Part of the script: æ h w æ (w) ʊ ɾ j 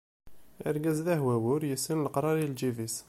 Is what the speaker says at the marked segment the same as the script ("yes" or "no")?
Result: yes